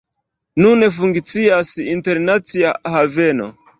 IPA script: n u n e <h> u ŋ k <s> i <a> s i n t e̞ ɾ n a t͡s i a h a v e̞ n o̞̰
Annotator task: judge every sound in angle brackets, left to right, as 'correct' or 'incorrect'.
incorrect, incorrect, correct

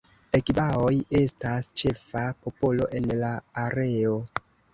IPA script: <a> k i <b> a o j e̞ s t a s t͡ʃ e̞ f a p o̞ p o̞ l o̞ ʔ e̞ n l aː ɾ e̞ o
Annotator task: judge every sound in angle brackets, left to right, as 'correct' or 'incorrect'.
incorrect, correct

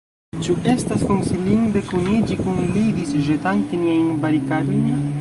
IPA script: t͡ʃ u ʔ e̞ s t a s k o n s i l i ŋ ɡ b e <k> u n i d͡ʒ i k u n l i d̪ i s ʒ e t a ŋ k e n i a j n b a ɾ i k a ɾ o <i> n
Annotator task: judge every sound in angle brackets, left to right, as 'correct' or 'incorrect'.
correct, incorrect

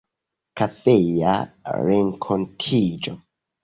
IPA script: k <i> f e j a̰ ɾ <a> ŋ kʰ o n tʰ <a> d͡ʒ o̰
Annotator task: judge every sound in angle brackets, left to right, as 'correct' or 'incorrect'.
incorrect, incorrect, incorrect

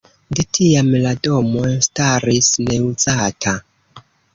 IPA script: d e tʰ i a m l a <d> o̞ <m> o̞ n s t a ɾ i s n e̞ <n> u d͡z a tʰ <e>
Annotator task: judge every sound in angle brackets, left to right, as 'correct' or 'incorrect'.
correct, correct, incorrect, incorrect

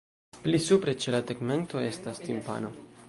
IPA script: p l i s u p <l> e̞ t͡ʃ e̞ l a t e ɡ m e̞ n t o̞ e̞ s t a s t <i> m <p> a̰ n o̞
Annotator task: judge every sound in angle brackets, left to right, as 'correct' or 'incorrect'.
incorrect, correct, correct

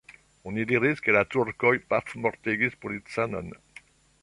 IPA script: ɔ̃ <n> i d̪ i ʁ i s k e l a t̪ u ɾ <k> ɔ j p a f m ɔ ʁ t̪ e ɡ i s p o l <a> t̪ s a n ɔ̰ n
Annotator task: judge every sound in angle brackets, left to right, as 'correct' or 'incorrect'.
correct, correct, incorrect

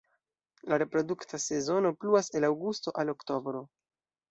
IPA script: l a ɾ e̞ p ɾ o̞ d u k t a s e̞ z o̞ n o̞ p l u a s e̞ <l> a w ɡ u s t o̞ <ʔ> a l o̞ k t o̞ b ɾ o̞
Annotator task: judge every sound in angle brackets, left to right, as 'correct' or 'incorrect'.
correct, correct

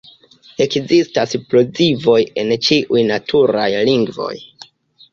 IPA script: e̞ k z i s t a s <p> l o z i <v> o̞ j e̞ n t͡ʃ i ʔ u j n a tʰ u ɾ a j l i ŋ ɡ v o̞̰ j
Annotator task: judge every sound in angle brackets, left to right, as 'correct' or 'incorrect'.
correct, correct

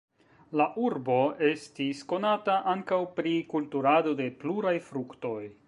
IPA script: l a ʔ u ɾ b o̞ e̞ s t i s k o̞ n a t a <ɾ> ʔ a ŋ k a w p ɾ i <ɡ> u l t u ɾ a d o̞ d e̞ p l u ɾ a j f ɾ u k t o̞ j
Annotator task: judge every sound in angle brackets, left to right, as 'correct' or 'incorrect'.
incorrect, incorrect

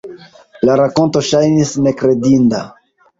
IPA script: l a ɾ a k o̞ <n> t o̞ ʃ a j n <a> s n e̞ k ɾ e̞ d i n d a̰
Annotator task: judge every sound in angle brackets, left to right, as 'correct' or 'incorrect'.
correct, incorrect

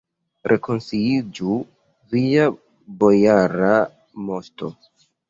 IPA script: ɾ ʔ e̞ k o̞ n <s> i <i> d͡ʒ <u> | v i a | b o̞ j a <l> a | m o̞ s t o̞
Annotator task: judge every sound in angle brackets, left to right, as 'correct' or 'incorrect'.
correct, correct, correct, incorrect

